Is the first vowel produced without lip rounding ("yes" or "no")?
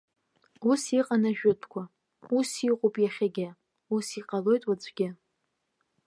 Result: no